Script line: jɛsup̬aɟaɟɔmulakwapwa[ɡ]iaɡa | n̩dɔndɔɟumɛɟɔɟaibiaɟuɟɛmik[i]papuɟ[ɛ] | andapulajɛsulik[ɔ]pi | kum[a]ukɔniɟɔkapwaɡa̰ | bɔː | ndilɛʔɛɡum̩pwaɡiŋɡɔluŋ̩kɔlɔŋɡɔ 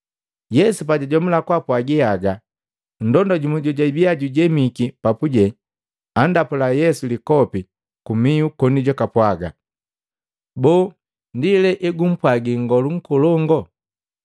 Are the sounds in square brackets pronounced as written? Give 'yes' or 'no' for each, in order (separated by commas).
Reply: yes, yes, yes, yes, no